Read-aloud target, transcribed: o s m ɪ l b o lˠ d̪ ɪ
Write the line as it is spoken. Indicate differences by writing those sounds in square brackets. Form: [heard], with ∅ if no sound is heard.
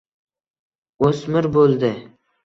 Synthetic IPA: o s m ɪ [ɾ] b o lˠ d̪ ɪ